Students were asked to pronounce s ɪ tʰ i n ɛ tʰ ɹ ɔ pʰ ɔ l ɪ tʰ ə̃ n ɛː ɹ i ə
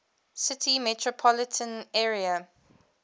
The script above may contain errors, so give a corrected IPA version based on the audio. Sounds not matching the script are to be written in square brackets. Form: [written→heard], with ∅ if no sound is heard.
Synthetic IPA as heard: s ɪ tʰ i [n→m] ɛ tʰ ɹ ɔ pʰ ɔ l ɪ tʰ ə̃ n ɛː ɹ i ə